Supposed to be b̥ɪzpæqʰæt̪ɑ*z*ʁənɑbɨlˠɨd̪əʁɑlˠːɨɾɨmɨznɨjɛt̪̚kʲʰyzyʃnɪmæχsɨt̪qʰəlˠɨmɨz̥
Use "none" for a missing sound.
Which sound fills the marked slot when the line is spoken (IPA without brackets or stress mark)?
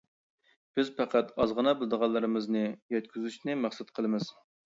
z